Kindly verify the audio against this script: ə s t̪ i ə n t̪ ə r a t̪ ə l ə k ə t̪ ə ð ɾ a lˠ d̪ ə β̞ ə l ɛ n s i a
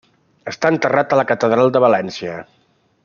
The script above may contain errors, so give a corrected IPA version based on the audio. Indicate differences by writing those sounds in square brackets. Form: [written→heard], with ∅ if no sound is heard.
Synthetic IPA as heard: ə s t̪ [i→a] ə n t̪ ə r a t̪ ə l ə k ə t̪ ə ð ɾ a lˠ d̪ ə β̞ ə l ɛ n s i [a→ə]